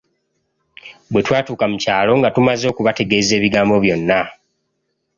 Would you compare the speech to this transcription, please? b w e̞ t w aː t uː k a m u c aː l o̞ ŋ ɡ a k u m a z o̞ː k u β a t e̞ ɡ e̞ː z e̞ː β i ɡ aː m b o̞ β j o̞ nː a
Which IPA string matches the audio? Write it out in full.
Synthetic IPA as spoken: b w e̞ t w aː t uː k a m u c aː l o̞ ŋ ɡ a t u m a z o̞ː k u β a t e̞ ɡ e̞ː z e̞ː β i ɡ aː m b o̞ β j o̞ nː a

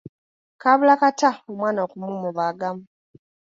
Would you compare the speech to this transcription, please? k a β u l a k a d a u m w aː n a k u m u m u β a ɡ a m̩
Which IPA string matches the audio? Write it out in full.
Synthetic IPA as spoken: k a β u l a k a t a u m w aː n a k u m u m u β a ɡ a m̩

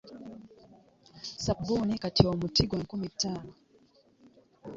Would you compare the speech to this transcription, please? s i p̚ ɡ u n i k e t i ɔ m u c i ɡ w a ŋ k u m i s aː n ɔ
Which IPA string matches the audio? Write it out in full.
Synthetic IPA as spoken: s a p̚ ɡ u n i k a t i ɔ m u t i ɡ w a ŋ k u m i t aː n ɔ

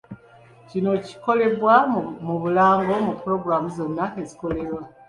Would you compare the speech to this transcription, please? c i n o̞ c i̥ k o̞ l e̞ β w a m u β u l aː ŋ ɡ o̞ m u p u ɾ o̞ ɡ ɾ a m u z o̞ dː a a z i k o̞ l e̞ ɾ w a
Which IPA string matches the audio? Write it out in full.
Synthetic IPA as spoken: c i n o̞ c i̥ k o̞ l e̞ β w a m u β u l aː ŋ ɡ o̞ m u p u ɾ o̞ ɡ ɾ a m u z o̞ nː a e z i k o̞ l e̞ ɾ w a

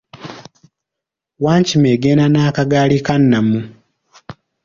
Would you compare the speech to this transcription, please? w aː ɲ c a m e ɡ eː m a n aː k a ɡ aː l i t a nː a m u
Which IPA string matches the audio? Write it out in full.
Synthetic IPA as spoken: w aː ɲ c i m e ɡ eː n a n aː k a ɡ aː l i k a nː a m u

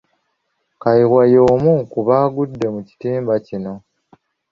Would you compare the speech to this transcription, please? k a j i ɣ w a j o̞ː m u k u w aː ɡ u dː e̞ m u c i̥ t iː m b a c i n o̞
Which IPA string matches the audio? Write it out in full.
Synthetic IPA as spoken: k a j i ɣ w a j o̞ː m u k u β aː ɡ u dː e̞ m u c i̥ t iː m b a c i n o̞

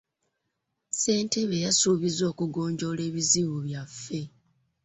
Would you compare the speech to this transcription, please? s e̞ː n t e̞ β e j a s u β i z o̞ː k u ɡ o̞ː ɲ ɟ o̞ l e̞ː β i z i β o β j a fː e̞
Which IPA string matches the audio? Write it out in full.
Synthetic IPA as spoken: s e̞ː n t e̞ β e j a s u β i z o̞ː k u ɡ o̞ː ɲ ɟ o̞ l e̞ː β i z i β u β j a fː e̞

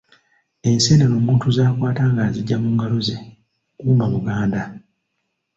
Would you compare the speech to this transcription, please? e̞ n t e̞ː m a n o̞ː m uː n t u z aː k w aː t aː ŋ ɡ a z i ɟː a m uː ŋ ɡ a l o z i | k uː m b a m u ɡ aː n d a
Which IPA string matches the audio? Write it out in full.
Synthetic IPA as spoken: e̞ n s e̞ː n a n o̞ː m uː n t u z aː k w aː t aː ŋ ɡ a z i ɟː a m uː ŋ ɡ a l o z e | k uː m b a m u ɡ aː n d a

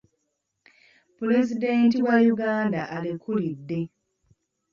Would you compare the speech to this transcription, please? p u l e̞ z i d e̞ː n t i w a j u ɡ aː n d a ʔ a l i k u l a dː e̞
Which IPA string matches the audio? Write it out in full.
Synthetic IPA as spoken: p u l e̞ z i d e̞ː n t i w a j u ɡ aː n d a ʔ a l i k u l i dː e̞

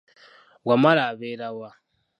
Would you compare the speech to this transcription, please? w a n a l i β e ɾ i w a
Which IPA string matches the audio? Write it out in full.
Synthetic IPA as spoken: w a m a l a β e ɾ a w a

